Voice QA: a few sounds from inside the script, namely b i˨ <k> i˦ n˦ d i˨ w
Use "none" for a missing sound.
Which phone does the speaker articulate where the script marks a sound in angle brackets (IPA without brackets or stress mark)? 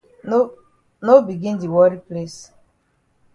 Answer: ɡ